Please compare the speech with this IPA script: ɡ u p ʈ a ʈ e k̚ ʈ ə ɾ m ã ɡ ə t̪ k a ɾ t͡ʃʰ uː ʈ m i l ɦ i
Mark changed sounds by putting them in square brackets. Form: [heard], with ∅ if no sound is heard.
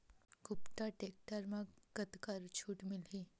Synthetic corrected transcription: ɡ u p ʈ a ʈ e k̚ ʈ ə ɾ m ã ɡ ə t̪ k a ɾ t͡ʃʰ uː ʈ m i l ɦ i